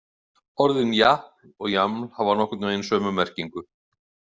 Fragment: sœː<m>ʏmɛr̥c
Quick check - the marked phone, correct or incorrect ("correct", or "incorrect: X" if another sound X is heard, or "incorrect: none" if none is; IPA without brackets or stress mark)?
correct